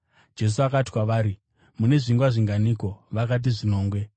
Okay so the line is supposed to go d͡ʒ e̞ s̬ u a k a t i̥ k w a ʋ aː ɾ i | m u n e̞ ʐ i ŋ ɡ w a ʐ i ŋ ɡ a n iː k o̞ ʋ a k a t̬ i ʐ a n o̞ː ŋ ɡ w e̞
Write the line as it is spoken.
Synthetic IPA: d͡ʒ e̞ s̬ u a k a t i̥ k w a ʋ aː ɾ i | m u n e̞ ʐ i ŋ ɡ w a ʐ i ŋ ɡ a n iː k o̞ ʋ a k a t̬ i ʐ i n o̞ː ŋ ɡ w e̞